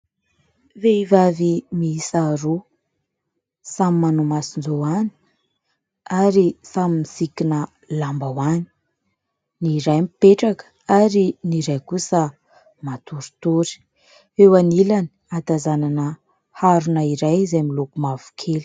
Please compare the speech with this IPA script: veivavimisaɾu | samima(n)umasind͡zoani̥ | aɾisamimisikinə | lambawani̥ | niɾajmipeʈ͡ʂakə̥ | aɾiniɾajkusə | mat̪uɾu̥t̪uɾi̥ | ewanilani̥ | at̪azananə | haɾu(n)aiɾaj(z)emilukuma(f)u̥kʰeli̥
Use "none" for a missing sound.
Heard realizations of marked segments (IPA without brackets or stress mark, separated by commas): n, n, z, v